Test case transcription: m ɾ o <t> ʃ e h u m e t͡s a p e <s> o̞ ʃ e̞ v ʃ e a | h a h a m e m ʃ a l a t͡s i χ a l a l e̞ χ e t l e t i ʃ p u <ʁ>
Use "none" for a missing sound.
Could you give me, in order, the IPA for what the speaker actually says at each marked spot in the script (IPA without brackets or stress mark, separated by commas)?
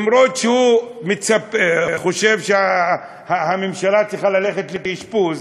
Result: t, χ, z